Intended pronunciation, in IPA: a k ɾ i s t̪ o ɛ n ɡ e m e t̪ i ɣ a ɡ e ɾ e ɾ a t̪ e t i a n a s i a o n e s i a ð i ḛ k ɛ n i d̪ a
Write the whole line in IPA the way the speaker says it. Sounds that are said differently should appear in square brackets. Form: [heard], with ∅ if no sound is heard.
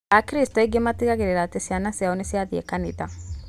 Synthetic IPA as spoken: a k ɾ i s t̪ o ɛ [∅] ɡ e m [a] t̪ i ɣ a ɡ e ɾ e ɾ a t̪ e [s] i a n a s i a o n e s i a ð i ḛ k [a] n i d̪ a

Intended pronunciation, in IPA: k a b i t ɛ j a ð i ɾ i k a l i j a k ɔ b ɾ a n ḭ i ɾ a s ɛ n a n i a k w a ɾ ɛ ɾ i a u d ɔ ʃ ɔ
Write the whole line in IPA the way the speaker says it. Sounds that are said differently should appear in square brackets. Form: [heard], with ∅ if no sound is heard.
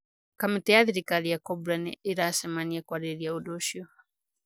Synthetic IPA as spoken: k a [m] i t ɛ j a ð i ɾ i k a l i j a k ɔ b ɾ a n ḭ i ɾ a s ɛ [m] a n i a k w a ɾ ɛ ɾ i a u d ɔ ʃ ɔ

